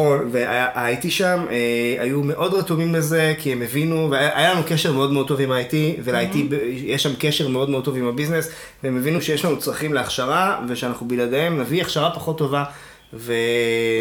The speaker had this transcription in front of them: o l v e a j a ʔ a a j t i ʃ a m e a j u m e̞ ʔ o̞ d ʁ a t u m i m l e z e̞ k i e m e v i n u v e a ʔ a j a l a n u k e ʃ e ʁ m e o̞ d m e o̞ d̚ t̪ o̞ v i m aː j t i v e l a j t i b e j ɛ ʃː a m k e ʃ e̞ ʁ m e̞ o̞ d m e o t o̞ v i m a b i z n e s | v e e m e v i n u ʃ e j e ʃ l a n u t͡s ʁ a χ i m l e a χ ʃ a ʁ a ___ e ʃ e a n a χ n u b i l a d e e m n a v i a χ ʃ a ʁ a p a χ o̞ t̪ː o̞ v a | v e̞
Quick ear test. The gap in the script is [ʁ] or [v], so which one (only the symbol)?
v